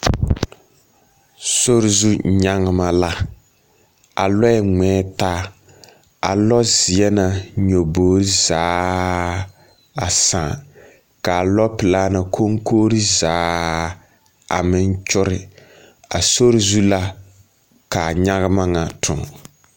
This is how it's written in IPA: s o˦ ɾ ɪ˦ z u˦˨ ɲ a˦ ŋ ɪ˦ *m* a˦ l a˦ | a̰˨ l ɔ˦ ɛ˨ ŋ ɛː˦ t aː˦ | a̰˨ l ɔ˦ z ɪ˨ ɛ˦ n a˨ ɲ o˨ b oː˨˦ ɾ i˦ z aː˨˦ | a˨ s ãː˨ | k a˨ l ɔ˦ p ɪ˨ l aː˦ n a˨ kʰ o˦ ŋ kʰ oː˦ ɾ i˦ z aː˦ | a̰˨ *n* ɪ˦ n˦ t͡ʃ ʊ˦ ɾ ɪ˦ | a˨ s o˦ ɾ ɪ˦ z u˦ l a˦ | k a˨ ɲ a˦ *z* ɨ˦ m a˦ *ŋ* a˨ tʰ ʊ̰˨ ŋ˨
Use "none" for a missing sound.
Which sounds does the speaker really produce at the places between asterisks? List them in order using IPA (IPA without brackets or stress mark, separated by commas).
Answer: m, m, ɣ, ŋ